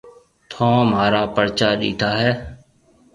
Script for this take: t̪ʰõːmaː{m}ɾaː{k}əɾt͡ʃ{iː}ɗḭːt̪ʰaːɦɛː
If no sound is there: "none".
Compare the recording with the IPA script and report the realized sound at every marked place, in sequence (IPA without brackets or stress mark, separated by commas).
none, p, aː